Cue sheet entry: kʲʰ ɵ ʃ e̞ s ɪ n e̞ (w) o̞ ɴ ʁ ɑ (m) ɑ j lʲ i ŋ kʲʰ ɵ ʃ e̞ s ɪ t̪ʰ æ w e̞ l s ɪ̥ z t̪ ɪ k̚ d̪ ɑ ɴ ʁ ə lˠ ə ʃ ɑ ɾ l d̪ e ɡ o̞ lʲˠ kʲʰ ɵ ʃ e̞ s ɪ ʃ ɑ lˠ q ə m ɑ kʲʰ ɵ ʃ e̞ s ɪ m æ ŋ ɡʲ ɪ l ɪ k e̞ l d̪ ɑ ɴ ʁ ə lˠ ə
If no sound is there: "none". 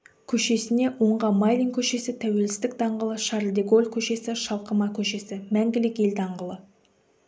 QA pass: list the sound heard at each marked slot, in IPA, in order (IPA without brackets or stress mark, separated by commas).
w, m